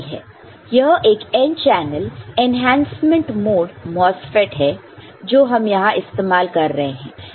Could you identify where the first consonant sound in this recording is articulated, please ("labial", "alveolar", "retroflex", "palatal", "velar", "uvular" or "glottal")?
glottal